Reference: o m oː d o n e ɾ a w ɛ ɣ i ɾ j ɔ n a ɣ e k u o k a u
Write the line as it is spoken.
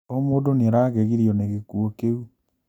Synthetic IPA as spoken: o m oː d o n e ɾ a ɣ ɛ ɣ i ɾ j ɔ n e ɣ e k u o k e u